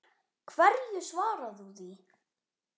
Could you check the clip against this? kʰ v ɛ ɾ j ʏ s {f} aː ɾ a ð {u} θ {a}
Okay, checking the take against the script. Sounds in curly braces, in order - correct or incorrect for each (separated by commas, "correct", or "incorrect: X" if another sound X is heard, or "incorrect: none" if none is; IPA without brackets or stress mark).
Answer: incorrect: v, correct, incorrect: i